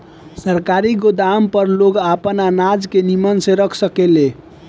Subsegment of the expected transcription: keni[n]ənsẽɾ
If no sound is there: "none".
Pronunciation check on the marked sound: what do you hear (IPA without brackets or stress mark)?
m